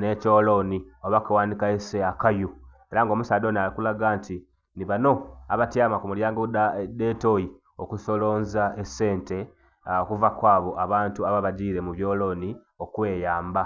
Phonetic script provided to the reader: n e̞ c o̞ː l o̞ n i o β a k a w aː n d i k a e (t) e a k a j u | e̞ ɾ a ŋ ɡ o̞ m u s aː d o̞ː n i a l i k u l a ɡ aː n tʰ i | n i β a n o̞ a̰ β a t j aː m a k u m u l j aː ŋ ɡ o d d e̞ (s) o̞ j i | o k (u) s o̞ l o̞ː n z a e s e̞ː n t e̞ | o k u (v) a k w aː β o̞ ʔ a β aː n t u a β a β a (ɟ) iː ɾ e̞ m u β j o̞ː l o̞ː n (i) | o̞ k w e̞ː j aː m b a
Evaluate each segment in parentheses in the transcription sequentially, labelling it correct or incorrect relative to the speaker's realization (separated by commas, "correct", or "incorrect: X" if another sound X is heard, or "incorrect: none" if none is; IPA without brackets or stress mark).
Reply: incorrect: s, incorrect: t, correct, correct, correct, correct